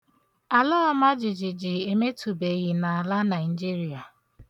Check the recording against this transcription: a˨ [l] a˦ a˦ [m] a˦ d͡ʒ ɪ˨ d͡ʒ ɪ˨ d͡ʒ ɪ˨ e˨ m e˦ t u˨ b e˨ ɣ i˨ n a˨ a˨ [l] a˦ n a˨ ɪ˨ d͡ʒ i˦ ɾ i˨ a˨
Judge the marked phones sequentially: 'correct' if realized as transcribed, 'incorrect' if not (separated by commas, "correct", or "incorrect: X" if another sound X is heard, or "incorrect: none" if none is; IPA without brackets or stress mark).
correct, correct, correct